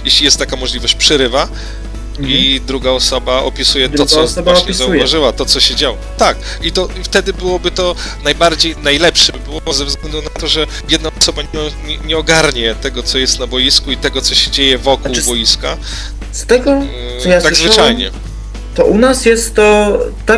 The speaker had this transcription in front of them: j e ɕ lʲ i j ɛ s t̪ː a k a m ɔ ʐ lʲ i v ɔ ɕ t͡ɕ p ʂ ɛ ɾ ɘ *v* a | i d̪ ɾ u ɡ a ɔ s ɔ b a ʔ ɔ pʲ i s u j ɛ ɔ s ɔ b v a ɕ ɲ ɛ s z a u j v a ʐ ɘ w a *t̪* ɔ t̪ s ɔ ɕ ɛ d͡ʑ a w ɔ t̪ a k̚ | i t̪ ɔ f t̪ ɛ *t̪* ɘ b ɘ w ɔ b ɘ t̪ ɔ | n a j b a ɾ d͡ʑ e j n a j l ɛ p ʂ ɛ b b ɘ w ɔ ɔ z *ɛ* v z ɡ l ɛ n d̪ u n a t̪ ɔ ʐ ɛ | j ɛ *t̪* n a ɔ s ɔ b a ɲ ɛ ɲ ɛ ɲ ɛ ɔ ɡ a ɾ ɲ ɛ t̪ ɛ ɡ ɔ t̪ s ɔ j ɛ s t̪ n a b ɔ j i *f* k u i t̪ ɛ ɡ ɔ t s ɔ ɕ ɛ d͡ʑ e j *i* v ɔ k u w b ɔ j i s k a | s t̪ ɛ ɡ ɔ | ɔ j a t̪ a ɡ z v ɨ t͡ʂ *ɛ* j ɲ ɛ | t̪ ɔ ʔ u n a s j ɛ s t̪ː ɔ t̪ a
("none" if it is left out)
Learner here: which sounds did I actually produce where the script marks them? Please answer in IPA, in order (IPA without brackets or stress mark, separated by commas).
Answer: v, t̪, d̪, ɛ, d̪, s, ɛ, a